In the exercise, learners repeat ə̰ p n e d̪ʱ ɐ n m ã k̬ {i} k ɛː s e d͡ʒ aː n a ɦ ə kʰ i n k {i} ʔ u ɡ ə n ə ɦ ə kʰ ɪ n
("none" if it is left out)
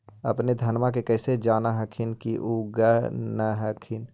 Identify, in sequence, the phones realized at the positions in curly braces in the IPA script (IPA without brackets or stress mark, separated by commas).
e, i